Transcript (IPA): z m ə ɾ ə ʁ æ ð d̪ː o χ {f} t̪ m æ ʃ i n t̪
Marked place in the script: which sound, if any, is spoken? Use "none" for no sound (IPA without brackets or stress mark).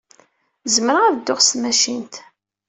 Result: s